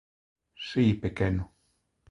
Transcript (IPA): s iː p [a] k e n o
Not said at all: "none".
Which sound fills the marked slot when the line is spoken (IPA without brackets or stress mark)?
e